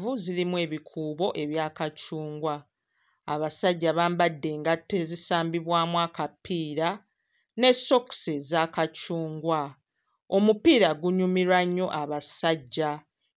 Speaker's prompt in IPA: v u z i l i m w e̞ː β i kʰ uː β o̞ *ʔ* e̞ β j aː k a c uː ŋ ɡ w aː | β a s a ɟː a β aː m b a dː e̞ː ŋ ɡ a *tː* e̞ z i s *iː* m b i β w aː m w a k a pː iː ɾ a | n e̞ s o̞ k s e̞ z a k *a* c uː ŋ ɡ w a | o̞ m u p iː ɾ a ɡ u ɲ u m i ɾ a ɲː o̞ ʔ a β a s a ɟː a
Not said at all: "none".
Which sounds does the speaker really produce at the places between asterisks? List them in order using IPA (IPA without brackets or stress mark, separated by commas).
ʔ, tː, aː, a